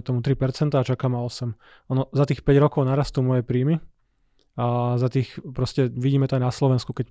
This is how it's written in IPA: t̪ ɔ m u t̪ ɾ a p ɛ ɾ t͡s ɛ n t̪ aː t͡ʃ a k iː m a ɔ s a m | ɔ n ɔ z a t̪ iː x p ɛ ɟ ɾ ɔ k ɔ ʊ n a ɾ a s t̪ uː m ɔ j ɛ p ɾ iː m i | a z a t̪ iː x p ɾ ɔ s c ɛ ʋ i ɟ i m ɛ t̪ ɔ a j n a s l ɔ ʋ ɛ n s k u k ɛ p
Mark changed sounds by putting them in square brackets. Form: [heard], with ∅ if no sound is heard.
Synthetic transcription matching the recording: t̪ ɔ m u t̪ ɾ [i] p ɛ ɾ t͡s ɛ n t̪ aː t͡ʃ a k [aː] m a ɔ s [ɛ] m | ɔ n ɔ z a t̪ iː x p ɛ ɟ ɾ ɔ k ɔ ʊ n a ɾ a s t̪ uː m ɔ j ɛ p ɾ iː m i | a z a t̪ iː x p ɾ ɔ s c ɛ ʋ i ɟ [iː] m ɛ t̪ ɔ a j n a s l ɔ ʋ ɛ n s k u k ɛ [c]